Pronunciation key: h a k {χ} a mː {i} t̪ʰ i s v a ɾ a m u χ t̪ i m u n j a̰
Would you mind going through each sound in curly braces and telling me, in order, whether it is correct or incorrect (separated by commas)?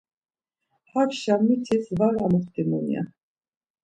incorrect, correct